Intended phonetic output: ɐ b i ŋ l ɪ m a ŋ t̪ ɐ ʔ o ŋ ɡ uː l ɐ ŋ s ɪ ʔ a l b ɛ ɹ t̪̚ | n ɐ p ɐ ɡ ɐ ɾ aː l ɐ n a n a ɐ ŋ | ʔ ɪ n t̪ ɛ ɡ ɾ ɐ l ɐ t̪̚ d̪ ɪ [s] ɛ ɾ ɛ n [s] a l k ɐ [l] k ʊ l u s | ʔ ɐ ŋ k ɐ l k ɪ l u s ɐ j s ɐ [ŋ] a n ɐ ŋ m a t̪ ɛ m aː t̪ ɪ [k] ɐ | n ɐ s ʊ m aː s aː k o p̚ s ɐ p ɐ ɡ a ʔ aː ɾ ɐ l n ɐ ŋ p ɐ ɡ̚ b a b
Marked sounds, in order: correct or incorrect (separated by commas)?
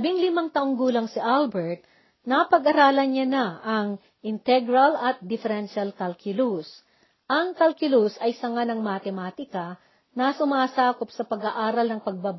incorrect, incorrect, correct, correct, correct